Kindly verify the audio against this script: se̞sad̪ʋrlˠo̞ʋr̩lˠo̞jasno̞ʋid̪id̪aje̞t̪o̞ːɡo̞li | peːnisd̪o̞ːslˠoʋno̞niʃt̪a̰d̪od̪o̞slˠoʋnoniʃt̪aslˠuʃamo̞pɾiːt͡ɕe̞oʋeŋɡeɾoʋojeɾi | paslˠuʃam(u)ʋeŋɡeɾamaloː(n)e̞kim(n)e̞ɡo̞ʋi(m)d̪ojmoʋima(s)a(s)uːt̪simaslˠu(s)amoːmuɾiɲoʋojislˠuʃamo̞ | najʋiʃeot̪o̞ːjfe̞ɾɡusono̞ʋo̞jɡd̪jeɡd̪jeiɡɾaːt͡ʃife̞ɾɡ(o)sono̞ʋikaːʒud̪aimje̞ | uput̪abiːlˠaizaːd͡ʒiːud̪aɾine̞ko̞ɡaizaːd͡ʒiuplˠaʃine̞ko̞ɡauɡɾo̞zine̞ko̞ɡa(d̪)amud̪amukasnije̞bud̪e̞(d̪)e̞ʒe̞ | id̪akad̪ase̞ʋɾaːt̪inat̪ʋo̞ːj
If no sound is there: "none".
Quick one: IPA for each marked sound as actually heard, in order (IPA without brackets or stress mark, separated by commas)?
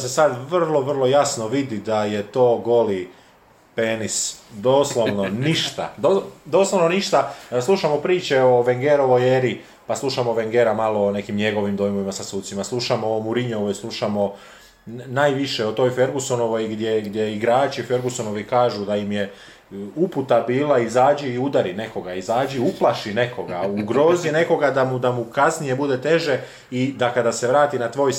o, n, ɲ, m, s, s, ʃ, u, d̪, t̪